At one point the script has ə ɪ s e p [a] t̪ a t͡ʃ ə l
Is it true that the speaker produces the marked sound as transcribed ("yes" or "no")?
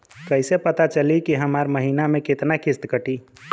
no